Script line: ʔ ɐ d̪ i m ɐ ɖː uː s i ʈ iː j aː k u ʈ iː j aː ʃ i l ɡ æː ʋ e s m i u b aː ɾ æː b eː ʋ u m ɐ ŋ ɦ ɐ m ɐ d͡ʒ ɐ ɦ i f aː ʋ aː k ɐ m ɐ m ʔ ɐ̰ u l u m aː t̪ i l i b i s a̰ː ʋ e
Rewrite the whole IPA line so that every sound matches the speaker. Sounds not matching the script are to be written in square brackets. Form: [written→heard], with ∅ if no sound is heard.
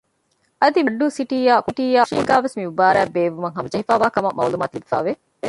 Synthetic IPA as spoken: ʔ ɐ d̪ i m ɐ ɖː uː s i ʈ iː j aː k u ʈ iː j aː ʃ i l ɡ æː ʋ e s m i u b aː ɾ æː b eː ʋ u m ɐ ŋ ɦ ɐ m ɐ d͡ʒ ɐ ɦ i f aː ʋ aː k ɐ m ɐ m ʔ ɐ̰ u l u m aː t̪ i l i b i [s→f] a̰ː ʋ e